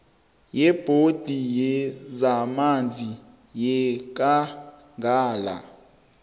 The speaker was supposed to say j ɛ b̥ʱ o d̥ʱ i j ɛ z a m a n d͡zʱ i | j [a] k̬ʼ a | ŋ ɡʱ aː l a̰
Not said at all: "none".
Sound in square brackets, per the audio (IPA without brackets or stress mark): ɛ